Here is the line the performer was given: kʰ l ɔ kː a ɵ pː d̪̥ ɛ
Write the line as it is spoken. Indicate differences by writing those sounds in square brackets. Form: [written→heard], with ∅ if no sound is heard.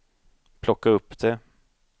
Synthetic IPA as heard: [kʰ→pʰ] l ɔ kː a ɵ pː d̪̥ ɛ